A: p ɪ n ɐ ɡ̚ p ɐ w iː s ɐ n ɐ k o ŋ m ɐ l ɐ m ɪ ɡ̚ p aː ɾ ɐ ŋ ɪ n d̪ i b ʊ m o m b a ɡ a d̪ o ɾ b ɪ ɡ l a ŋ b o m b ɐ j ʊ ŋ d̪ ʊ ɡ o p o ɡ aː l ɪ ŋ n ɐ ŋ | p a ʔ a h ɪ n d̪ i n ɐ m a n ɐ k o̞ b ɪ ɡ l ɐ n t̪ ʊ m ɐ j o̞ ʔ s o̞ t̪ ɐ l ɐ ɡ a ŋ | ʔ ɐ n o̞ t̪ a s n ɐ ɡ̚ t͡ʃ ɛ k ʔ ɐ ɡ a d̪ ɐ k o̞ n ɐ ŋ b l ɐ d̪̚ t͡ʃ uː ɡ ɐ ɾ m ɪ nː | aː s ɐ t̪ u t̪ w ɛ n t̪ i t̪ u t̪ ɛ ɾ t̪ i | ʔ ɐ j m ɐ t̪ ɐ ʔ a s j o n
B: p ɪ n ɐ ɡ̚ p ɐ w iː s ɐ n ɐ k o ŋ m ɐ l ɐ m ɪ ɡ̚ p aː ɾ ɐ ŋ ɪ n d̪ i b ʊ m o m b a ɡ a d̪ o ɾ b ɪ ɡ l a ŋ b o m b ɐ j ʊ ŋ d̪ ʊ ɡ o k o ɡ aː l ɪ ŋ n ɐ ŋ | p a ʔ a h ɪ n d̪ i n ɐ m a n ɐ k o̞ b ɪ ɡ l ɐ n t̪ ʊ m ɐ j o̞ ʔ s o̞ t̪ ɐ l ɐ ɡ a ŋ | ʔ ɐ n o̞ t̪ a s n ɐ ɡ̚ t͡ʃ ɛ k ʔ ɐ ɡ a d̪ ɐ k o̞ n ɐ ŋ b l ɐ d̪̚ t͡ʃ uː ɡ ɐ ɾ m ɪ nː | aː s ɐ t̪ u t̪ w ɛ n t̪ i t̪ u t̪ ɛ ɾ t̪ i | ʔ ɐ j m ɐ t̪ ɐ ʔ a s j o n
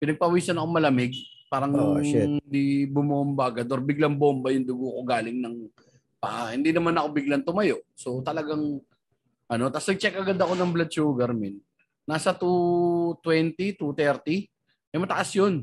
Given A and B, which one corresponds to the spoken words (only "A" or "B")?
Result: B